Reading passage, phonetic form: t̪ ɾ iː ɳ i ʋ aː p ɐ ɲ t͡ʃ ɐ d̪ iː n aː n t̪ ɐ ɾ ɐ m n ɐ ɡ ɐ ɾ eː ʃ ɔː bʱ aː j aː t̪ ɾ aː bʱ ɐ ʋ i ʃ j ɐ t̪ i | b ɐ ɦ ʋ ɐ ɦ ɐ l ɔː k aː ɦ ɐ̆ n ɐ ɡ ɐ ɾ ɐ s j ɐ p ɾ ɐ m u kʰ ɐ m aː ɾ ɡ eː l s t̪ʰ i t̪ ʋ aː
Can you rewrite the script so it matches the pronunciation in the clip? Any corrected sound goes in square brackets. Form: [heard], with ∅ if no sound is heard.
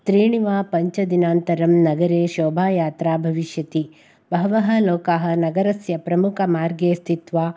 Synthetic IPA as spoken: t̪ ɾ iː ɳ i ʋ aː p ɐ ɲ t͡ʃ ɐ d̪ [i] n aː n t̪ ɐ ɾ ɐ m n ɐ ɡ ɐ ɾ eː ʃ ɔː bʱ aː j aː t̪ ɾ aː bʱ ɐ ʋ i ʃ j ɐ t̪ i | b ɐ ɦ ʋ ɐ ɦ ɐ l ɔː k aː ɦ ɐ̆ n ɐ ɡ ɐ ɾ ɐ s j ɐ p ɾ ɐ m u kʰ ɐ m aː ɾ ɡ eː [∅] s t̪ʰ i t̪ ʋ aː

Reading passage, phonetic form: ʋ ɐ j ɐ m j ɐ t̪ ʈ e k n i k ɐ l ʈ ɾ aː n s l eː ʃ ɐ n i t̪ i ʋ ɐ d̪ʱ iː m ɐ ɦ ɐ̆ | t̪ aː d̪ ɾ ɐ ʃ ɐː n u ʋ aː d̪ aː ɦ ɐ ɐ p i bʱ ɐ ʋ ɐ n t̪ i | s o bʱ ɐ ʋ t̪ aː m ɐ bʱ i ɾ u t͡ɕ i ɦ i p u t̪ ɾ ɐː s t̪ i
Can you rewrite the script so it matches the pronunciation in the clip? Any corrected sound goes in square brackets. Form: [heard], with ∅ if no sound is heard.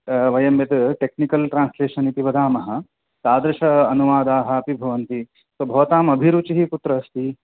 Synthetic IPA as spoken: ʋ ɐ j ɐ m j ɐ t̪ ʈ e k n i k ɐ l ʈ ɾ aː n s l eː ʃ ɐ n i t̪ i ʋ ɐ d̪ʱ [aː] m ɐ ɦ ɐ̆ | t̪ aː d̪ ɾ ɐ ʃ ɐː n u ʋ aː d̪ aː ɦ ɐ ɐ p i bʱ ɐ ʋ ɐ n t̪ i | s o bʱ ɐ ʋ t̪ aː m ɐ bʱ i ɾ u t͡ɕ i ɦ i p u t̪ ɾ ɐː s t̪ i

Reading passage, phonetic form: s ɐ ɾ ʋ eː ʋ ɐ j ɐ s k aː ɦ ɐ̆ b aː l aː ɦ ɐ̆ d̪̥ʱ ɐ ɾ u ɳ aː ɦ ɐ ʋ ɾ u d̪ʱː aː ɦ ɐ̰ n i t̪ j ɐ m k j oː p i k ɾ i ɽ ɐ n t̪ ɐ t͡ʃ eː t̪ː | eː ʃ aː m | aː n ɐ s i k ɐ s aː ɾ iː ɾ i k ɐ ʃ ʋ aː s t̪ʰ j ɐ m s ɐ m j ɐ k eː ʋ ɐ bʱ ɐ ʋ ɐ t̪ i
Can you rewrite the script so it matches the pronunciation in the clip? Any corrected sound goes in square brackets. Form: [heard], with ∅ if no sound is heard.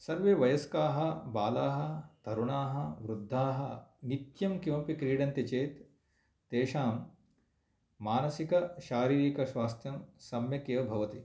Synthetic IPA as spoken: s ɐ ɾ ʋ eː ʋ ɐ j ɐ s k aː ɦ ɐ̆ b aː l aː ɦ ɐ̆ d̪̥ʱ ɐ ɾ u ɳ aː ɦ ɐ ʋ ɾ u d̪ʱː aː ɦ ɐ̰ n i t̪ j ɐ m k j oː p i k ɾ [iː] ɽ ɐ n t̪ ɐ t͡ʃ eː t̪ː | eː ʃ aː m | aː n ɐ s i k ɐ [ʃ] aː ɾ iː ɾ i k ɐ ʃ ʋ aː s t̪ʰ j ɐ m s ɐ m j ɐ k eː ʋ ɐ bʱ ɐ ʋ ɐ t̪ i

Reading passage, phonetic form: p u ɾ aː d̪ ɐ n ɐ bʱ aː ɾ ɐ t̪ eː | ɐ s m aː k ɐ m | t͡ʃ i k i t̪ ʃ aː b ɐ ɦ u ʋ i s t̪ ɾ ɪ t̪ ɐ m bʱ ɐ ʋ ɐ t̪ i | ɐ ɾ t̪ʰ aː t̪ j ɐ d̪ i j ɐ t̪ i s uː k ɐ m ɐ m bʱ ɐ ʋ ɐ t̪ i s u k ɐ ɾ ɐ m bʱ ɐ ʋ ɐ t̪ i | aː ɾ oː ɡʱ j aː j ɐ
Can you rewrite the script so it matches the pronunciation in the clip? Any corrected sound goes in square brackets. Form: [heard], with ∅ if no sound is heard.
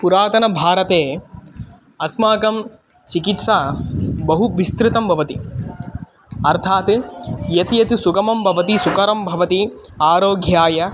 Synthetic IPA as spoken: p u ɾ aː [t̪] ɐ n ɐ bʱ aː ɾ ɐ t̪ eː | ɐ s m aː k ɐ m | t͡ʃ i k i t̪ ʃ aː b ɐ ɦ u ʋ i s t̪ ɾ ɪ t̪ ɐ m bʱ ɐ ʋ ɐ t̪ i | ɐ ɾ t̪ʰ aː t̪ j ɐ [t̪] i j ɐ t̪ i s [u] k ɐ m ɐ m bʱ ɐ ʋ ɐ t̪ i s u k ɐ ɾ ɐ m bʱ ɐ ʋ ɐ t̪ i | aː ɾ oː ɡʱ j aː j ɐ

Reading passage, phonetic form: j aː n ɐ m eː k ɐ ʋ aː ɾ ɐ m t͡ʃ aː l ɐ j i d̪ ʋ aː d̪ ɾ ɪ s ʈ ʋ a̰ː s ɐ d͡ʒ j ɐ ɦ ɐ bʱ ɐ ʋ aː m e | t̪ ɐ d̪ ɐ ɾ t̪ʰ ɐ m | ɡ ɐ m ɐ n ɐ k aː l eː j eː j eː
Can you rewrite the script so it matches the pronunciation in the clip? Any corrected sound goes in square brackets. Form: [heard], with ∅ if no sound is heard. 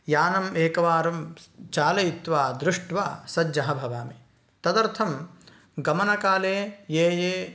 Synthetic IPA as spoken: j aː n ɐ m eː k ɐ ʋ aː ɾ ɐ m t͡ʃ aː l ɐ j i [t̪] ʋ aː d̪ ɾ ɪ [ʂ] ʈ ʋ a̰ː s ɐ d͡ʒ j ɐ ɦ ɐ bʱ ɐ ʋ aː m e | t̪ ɐ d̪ ɐ ɾ t̪ʰ ɐ m | ɡ ɐ m ɐ n ɐ k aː l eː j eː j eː

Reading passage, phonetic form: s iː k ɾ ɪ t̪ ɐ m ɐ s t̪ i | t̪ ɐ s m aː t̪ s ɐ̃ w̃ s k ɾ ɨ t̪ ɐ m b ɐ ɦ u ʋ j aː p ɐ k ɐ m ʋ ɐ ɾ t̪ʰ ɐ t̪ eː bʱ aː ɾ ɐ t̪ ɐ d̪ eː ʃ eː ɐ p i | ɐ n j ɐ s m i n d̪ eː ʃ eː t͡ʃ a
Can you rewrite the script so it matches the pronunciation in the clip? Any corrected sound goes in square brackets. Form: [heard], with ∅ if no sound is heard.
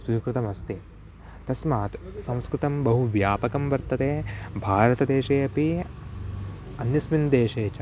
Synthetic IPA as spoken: s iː k ɾ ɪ t̪ ɐ m ɐ s t̪ i | t̪ ɐ s m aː t̪ s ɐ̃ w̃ s k ɾ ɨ t̪ ɐ m b ɐ ɦ u ʋ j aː p ɐ k ɐ m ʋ ɐ ɾ [t̪] ɐ t̪ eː bʱ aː ɾ ɐ t̪ ɐ d̪ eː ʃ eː ɐ p i | ɐ n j ɐ s m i n d̪ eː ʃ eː t͡ʃ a

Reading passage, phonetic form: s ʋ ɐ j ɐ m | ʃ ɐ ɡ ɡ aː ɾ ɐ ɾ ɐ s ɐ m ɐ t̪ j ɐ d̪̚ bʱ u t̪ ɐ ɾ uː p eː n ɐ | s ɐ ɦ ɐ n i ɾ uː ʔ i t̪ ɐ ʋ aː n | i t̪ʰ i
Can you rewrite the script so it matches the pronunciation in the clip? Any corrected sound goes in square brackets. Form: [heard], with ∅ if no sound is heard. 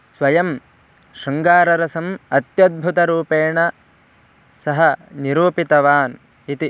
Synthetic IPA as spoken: s ʋ ɐ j ɐ m | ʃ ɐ [ŋ] ɡ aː ɾ ɐ ɾ ɐ s ɐ m ɐ t̪ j ɐ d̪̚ bʱ u t̪ ɐ ɾ uː p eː [ɳ] ɐ | s ɐ ɦ ɐ n i ɾ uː [p] i t̪ ɐ ʋ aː n | i [t̪] i

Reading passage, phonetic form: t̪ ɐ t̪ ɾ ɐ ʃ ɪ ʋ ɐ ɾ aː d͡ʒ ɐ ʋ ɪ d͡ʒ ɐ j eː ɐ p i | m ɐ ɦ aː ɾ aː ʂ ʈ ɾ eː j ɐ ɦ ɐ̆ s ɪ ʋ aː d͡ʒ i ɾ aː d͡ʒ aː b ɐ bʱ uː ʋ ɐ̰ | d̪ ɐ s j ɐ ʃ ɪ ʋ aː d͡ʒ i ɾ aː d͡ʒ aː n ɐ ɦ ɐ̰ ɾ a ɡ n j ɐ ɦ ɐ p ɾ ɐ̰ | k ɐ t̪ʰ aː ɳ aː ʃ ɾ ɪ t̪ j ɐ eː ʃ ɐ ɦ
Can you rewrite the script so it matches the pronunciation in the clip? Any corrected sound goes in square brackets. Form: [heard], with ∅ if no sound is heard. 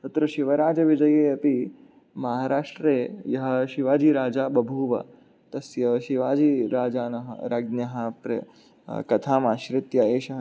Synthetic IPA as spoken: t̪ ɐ t̪ ɾ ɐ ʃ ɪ ʋ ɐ ɾ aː d͡ʒ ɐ ʋ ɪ d͡ʒ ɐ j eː ɐ p i | m ɐ ɦ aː ɾ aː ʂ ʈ ɾ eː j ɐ ɦ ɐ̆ [ʃ] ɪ ʋ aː d͡ʒ i ɾ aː d͡ʒ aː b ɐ bʱ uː ʋ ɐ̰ | [t̪] ɐ s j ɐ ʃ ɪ ʋ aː d͡ʒ i ɾ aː d͡ʒ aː n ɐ ɦ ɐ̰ ɾ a ɡ n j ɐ ɦ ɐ p ɾ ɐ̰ | k ɐ t̪ʰ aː [m] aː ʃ ɾ ɪ t̪ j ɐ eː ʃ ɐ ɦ

